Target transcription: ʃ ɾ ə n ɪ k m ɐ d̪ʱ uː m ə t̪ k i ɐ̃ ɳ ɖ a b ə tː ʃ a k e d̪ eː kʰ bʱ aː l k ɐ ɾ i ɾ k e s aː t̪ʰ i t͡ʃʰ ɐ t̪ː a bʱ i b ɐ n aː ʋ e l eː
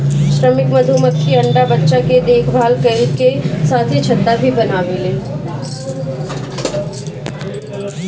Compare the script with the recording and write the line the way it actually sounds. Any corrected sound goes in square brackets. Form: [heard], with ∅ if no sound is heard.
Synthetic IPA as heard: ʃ ɾ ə [m] ɪ k m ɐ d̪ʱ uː m ə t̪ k i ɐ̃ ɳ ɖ a b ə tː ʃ a k e d̪ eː kʰ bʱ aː l k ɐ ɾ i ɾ k e s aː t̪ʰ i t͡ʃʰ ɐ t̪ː a bʱ i b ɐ n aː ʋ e l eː